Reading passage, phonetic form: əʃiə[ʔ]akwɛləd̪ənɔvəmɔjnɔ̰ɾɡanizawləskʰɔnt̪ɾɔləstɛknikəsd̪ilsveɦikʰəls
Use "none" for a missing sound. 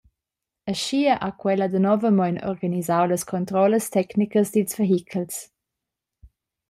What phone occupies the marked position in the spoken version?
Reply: ʔ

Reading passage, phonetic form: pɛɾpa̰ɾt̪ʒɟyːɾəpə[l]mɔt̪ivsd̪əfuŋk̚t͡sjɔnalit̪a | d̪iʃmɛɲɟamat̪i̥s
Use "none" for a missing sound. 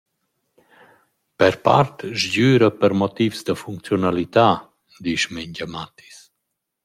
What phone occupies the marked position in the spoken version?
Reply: ɾ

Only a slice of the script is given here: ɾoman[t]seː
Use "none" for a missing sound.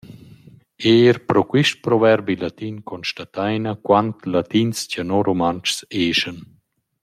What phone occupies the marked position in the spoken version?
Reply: t͡ʃ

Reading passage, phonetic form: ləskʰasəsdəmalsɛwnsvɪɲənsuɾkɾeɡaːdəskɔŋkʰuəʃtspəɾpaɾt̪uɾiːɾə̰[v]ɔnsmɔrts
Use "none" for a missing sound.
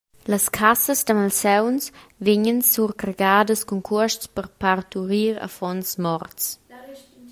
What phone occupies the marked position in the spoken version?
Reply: f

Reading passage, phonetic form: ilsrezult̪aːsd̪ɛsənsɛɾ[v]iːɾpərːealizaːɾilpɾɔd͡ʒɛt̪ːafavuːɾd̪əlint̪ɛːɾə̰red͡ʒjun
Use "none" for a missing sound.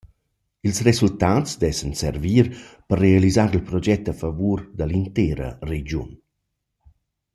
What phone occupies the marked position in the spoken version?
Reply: v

